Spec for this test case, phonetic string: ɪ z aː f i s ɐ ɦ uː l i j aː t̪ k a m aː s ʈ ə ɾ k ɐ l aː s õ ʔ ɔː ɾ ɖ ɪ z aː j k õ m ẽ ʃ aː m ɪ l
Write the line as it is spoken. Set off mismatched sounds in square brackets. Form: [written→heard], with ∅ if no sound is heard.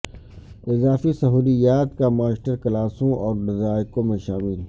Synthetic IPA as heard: ɪ z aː f i s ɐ ɦ uː l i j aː t̪ k a m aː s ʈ ə ɾ k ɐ l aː s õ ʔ ɔː ɾ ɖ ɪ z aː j k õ m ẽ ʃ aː m ɪ l

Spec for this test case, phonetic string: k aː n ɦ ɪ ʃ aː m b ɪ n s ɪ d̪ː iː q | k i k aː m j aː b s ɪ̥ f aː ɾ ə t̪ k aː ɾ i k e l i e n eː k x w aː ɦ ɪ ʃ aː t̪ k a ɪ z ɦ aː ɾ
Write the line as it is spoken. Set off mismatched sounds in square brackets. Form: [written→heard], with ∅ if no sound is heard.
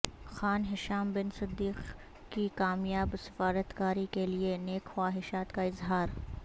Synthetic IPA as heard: [k→x] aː n ɦ ɪ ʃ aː m b ɪ n s ɪ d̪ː iː q | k i k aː m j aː b s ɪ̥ f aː ɾ ə t̪ k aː ɾ i k e l i e n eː k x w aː ɦ ɪ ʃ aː t̪ k a ɪ z ɦ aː ɾ

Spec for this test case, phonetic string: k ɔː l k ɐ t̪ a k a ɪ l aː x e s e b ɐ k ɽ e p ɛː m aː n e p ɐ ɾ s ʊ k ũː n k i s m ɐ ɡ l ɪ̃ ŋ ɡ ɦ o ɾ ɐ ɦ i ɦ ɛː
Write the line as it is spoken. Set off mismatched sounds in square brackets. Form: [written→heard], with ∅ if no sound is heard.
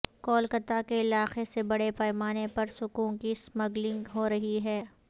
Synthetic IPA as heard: k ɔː l k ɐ t̪ a k [a→e] ɪ l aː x e s e b ɐ [k→∅] ɽ e p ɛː m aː n e p ɐ ɾ s ʊ k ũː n k i s m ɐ ɡ l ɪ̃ ŋ ɡ ɦ o ɾ ɐ ɦ i ɦ ɛː

